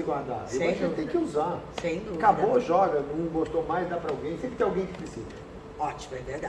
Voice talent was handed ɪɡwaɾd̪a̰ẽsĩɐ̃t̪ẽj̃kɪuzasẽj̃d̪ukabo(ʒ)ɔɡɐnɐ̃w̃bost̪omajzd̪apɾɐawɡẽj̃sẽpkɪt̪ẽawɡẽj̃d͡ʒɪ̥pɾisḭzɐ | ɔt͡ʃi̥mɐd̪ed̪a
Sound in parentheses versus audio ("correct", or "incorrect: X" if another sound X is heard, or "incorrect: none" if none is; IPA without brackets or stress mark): correct